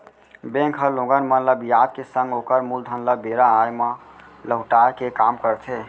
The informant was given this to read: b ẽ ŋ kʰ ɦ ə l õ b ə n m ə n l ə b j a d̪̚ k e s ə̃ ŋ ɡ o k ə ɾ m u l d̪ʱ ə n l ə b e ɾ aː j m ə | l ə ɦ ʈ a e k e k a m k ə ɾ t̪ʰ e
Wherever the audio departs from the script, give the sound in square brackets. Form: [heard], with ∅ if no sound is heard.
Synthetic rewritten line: b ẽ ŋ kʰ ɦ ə l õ [ɡ] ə n m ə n l ə b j a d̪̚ k e s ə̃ ŋ ɡ o k ə ɾ m u l d̪ʱ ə n l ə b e ɾ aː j m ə | l ə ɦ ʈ a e k e k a m k ə ɾ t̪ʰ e